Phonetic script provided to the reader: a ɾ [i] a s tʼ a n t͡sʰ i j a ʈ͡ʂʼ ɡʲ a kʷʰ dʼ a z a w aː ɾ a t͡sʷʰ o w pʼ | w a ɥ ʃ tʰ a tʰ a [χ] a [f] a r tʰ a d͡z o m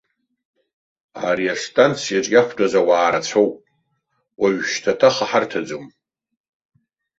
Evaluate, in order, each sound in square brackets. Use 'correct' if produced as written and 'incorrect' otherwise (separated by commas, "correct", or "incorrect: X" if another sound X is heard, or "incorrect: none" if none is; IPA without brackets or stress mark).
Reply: correct, correct, incorrect: ħ